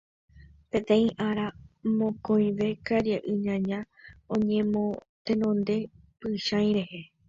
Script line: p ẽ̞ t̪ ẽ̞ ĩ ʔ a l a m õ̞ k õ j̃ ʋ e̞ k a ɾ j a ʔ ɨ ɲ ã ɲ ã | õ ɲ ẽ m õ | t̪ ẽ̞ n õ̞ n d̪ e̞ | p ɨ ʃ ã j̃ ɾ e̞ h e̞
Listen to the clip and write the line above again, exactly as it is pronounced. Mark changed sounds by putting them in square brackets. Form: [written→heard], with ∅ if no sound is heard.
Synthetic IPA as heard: p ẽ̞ t̪ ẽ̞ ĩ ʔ a [l→ɾ] a m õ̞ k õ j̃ ʋ e̞ k a ɾ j a ʔ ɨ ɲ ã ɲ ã | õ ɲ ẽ m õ | t̪ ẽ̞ n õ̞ n d̪ e̞ | p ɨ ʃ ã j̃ ɾ e̞ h e̞